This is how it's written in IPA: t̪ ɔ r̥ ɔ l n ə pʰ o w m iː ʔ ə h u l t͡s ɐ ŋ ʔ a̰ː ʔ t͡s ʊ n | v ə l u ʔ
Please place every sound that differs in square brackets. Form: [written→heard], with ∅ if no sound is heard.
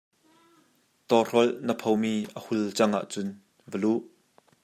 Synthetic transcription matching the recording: t̪ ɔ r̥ ɔ l n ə pʰ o w m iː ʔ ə h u l t͡s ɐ ŋ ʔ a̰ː ʔ t͡s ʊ n | v ə l u ʔ

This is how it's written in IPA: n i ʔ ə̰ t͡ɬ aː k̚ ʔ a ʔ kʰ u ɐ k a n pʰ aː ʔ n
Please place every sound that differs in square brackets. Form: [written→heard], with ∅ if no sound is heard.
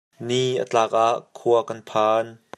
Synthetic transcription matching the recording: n i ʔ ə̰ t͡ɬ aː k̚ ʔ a ʔ kʰ u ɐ k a n pʰ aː [ʔ→∅] n

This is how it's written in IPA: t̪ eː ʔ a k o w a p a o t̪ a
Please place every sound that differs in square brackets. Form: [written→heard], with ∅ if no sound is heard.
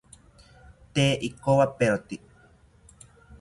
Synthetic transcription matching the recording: t̪ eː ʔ [a→i] k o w a p [a→e] o t̪ [a→i]

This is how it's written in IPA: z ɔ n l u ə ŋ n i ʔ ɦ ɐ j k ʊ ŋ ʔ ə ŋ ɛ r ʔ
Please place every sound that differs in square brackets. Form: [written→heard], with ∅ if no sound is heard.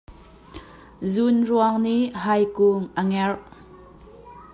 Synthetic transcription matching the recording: z [ɔ→u] n [l→r] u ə ŋ n i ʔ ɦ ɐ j k [ʊ→u] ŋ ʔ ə ŋ ɛ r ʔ

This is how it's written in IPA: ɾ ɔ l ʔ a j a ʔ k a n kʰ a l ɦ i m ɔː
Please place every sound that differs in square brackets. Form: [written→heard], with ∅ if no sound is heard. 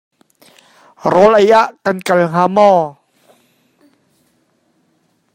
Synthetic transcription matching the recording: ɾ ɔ l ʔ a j a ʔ k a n [kʰ→k] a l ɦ [i→a] m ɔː

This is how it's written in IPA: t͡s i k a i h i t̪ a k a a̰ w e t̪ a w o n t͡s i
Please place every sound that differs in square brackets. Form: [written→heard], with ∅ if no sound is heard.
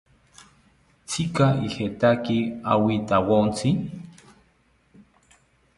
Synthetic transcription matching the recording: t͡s i k a i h [i→e] t̪ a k [a→i] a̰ w [e→i] t̪ a w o n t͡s i

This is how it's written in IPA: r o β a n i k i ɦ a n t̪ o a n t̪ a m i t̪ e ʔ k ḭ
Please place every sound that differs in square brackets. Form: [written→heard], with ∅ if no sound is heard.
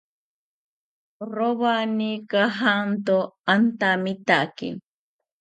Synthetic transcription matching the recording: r o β a n i k [i→a] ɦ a n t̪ o a n t̪ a m i t̪ [e→a] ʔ k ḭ

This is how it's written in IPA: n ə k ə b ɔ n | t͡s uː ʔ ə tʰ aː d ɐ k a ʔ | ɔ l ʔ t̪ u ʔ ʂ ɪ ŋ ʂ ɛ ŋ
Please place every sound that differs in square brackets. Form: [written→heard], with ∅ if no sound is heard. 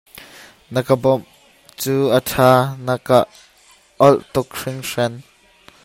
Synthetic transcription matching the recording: n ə k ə b ɔ [n→m] | t͡s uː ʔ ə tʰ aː [d→n] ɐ k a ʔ | ɔ l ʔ t̪ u [ʔ→k] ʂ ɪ ŋ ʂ ɛ [ŋ→n]

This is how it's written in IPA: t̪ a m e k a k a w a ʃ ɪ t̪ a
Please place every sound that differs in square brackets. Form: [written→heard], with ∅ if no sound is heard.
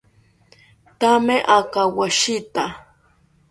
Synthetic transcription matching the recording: t̪ a m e [k→ʔ] a k a w a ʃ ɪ t̪ a

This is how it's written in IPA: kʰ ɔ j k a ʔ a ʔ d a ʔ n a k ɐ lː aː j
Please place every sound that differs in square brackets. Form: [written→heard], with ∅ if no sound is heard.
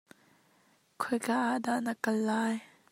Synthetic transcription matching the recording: kʰ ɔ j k a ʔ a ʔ d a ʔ n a k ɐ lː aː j

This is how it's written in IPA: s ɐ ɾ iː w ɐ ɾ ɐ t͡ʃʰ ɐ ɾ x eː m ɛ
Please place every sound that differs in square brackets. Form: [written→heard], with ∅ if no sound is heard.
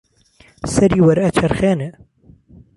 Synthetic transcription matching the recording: s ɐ ɾ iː w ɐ ɾ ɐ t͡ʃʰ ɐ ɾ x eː [m→n] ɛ

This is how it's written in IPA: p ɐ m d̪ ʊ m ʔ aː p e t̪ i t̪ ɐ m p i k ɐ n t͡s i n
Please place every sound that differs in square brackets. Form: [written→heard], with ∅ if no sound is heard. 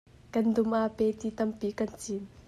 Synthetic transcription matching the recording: [p→k] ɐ [m→n] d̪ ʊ m ʔ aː p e t̪ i t̪ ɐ m p i k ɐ n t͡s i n

